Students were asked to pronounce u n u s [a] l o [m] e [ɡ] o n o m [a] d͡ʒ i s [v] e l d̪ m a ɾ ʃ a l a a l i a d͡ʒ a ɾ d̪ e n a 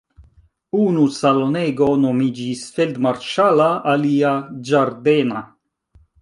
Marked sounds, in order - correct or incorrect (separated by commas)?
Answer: correct, incorrect, correct, incorrect, incorrect